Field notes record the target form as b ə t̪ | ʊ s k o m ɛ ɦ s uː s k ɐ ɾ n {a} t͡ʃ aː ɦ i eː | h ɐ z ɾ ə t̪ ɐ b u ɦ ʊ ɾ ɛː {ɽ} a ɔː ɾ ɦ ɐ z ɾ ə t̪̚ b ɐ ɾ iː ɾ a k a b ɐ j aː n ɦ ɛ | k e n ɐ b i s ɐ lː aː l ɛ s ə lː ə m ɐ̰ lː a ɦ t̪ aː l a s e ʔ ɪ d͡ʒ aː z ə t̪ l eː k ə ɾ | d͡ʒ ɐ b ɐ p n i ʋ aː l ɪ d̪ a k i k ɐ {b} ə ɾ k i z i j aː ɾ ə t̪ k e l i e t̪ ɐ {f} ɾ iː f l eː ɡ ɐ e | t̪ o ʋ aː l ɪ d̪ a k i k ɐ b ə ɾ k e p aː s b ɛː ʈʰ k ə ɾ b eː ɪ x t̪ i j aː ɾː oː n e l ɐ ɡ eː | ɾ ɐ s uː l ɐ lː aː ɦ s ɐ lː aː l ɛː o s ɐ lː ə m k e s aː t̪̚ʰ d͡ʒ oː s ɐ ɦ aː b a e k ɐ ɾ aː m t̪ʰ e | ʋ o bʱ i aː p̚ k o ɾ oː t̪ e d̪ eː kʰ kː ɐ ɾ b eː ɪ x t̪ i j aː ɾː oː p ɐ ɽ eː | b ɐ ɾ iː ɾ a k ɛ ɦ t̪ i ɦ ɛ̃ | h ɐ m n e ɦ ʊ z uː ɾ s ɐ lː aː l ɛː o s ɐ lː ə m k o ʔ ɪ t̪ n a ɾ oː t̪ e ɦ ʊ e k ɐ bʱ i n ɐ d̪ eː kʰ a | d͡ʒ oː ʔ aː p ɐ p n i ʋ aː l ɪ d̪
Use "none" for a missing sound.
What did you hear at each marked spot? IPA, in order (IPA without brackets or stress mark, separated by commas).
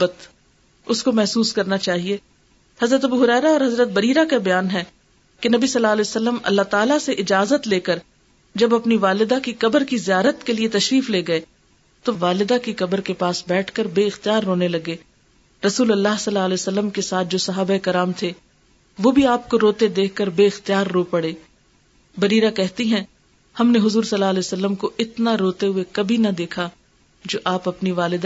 a, ɾ, b, ʃ